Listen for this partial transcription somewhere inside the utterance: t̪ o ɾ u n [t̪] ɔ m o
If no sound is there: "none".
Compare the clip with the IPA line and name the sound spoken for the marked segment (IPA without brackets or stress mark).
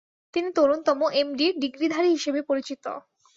t̪